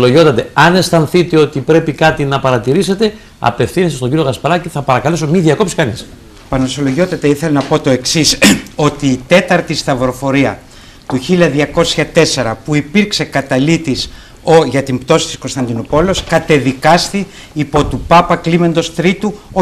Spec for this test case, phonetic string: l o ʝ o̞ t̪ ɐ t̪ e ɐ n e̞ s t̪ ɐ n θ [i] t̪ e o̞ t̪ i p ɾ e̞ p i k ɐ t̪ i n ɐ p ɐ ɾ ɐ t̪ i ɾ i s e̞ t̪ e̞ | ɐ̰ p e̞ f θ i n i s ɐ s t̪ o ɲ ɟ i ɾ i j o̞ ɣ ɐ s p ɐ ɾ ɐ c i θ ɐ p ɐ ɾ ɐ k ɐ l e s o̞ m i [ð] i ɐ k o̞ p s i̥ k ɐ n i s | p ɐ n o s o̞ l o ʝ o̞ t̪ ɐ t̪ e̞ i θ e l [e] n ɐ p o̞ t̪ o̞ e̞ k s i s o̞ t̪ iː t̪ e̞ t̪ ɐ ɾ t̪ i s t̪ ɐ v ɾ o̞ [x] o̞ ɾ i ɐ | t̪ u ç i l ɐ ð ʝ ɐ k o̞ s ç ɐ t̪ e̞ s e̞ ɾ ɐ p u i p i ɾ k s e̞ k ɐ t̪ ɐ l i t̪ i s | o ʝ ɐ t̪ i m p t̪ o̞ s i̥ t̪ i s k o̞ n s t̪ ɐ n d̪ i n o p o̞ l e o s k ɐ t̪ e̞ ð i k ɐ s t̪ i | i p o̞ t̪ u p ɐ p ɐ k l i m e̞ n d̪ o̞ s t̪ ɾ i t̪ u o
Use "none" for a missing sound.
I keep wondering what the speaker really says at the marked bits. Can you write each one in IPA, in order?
i, ð, e, f

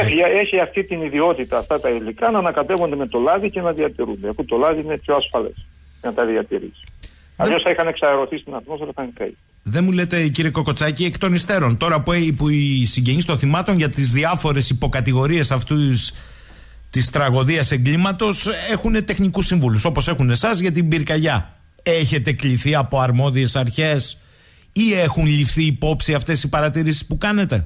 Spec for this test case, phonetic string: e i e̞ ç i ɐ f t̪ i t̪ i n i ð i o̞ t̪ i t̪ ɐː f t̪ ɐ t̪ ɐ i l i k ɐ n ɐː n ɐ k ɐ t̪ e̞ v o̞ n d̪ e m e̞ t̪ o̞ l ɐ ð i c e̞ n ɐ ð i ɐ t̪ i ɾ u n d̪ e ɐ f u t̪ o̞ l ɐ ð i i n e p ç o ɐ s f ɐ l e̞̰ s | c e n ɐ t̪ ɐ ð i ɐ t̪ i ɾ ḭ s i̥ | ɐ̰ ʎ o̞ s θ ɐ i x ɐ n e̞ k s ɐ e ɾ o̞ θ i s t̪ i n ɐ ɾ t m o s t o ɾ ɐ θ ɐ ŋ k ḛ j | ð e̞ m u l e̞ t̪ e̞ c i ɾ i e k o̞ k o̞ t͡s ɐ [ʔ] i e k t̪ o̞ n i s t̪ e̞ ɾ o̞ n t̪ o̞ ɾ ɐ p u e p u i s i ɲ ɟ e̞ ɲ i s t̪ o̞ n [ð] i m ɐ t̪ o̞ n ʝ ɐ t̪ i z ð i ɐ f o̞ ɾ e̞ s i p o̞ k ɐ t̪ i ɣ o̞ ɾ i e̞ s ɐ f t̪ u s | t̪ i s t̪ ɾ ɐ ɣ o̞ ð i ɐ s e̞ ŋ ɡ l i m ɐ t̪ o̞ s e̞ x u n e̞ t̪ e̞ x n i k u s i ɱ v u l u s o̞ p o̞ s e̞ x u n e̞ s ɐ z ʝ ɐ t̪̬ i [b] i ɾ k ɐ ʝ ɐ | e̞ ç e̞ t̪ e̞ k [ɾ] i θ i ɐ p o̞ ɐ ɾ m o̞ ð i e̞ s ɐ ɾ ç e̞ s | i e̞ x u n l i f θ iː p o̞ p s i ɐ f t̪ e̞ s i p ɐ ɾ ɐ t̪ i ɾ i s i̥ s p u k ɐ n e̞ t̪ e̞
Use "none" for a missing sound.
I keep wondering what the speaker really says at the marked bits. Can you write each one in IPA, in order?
c, θ, b, l

